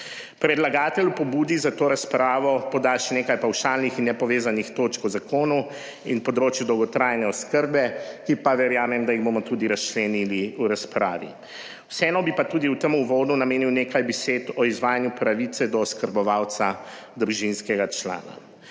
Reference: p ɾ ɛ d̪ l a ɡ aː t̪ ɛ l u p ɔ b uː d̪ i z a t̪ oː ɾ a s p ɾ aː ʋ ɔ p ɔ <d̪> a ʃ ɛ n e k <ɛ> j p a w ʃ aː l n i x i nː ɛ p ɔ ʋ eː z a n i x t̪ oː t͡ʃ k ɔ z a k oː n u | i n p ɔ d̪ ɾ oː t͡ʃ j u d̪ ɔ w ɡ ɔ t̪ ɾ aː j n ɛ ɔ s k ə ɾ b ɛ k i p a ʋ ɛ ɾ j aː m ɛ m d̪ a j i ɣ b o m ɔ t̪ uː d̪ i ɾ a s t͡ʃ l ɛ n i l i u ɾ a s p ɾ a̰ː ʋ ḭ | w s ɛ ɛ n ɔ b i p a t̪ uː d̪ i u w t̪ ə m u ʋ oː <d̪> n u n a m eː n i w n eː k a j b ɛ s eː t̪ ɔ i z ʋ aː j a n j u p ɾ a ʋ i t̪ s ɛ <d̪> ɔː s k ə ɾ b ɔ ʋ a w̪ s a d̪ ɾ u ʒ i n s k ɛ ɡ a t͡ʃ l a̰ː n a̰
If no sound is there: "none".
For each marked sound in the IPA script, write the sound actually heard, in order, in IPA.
d̪, a, d̪, d̪

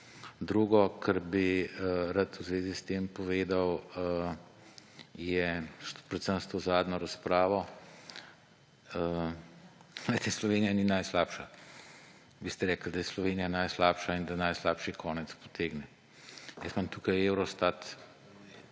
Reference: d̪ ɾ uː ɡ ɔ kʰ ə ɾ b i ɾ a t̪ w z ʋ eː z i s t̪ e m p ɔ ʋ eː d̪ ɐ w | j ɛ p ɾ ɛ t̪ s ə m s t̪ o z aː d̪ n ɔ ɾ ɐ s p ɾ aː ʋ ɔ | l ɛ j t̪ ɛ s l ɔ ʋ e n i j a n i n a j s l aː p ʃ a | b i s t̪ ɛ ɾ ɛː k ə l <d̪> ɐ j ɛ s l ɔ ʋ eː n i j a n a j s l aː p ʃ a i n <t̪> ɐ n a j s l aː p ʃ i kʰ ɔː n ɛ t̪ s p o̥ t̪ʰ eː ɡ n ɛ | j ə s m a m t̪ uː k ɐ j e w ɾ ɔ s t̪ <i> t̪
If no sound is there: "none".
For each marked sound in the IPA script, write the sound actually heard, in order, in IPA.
d̪, d̪, a

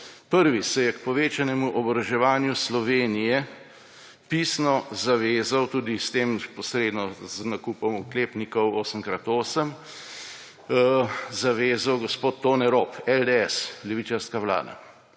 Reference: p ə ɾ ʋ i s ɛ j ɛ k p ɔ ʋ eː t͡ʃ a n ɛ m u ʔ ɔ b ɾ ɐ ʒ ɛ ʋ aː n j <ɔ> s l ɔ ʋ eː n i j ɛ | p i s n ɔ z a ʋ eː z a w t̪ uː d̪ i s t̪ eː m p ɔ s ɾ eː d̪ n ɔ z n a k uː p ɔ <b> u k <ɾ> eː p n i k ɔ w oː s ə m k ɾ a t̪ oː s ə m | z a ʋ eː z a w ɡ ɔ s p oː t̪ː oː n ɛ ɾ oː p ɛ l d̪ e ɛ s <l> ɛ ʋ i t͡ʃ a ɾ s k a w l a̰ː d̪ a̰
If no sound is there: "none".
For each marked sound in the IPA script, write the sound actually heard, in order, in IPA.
u, m, l, l

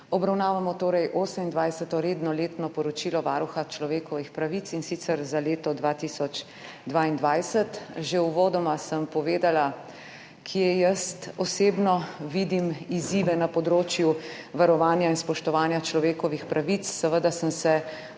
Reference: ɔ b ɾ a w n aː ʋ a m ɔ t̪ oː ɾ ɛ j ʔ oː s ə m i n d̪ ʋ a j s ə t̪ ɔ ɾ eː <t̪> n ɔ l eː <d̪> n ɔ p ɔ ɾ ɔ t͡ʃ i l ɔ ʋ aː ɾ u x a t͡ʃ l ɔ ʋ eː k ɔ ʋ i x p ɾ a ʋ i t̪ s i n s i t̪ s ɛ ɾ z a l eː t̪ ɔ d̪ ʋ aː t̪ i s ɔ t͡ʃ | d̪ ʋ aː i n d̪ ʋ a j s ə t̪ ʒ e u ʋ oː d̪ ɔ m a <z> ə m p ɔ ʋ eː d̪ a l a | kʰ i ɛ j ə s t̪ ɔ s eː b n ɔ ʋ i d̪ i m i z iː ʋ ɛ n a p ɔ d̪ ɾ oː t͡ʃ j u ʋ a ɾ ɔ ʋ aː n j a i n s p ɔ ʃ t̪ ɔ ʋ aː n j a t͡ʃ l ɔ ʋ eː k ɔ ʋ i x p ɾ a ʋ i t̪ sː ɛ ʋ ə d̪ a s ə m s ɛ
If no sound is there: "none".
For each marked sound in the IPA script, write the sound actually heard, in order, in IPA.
d̪, t̪, s

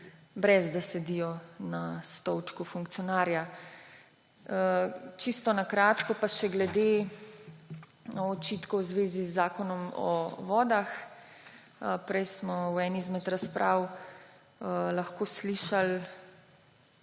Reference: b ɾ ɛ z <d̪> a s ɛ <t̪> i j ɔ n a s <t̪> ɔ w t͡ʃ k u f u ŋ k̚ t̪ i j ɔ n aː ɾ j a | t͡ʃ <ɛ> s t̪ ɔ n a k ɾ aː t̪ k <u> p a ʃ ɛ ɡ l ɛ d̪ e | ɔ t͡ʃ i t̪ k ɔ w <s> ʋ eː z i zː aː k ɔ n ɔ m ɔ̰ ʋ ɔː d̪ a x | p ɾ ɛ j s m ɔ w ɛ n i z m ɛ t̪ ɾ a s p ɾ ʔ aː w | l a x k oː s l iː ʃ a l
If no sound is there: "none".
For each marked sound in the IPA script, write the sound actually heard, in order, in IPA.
d̪, d̪, t̪, i, ɔ, z

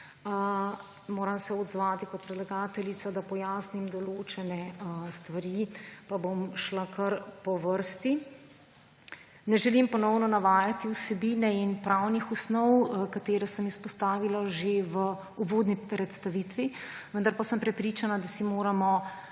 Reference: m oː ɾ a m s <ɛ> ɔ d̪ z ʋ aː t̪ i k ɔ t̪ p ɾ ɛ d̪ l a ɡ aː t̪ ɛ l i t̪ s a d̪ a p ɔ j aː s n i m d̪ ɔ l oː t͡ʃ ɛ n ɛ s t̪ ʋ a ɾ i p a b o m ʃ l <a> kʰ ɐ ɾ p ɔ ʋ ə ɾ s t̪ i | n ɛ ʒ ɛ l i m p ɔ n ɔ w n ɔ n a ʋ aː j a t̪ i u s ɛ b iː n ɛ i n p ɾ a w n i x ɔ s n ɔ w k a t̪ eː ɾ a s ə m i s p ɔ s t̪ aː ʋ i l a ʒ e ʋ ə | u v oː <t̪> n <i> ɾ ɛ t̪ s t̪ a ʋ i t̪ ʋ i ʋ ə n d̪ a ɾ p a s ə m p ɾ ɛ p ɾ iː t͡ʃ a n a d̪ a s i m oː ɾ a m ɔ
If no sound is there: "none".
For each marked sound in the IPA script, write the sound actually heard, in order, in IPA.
ɛ, a, d̪, i

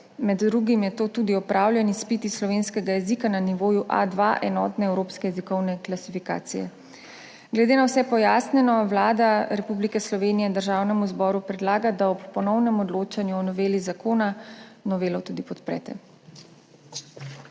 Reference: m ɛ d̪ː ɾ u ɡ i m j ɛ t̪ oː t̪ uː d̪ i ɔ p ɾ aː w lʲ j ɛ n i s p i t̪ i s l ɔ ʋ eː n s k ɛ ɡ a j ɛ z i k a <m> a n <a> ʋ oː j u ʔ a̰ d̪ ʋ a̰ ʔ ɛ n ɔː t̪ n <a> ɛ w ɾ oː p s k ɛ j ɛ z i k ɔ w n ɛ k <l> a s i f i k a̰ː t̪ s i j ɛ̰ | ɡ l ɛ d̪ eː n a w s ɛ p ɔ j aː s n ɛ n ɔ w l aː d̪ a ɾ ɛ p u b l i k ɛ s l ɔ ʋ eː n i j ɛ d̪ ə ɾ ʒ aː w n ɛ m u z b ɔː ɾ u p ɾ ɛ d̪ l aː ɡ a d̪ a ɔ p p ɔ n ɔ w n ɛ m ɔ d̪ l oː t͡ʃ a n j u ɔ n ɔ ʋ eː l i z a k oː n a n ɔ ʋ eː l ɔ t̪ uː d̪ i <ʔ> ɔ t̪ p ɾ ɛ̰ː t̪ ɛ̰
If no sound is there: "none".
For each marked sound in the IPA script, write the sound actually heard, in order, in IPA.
n, i, ɛ, l, p

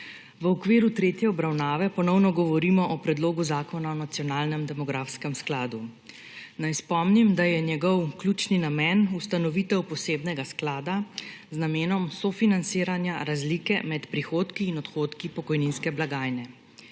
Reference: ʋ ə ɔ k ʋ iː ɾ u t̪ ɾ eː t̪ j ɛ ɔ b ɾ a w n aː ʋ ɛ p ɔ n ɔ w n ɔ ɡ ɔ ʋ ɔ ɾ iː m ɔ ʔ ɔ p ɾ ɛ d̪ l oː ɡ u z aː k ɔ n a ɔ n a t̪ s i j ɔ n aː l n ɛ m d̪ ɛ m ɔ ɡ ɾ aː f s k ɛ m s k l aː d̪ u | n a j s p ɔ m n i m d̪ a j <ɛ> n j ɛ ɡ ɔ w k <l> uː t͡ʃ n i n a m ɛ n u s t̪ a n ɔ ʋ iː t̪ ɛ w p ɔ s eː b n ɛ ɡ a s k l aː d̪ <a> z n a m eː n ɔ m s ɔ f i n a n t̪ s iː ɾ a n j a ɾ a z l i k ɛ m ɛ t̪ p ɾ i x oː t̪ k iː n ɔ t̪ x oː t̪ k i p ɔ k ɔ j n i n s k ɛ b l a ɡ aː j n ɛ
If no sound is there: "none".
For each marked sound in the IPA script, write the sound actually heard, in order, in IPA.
ɛ, l, a

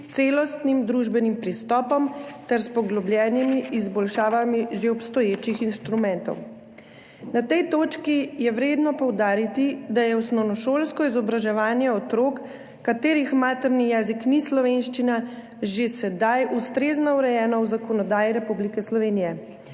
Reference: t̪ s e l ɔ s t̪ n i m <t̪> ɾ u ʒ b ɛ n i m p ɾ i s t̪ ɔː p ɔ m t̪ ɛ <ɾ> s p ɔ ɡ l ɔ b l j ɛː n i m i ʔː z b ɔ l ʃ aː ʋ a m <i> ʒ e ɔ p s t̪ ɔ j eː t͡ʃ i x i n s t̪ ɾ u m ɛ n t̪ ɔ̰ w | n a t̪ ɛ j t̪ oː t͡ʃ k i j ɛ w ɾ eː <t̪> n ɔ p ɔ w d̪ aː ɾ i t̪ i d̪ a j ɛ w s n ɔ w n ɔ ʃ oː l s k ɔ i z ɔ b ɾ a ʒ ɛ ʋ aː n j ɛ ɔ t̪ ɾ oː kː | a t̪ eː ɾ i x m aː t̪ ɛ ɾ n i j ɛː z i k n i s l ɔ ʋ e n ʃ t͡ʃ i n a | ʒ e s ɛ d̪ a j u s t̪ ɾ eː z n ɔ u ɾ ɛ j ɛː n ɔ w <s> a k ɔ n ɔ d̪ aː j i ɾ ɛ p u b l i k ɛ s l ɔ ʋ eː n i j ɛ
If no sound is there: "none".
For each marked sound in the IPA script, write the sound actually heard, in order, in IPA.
d̪, ɾ, i, d̪, z

